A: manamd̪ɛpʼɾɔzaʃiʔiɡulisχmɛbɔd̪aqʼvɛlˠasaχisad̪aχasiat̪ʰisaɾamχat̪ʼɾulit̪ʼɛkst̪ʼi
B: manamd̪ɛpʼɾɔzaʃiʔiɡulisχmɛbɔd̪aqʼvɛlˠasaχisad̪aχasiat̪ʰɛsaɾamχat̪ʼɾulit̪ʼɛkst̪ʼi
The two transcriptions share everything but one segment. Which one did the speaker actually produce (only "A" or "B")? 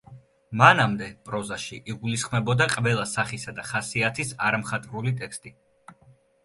A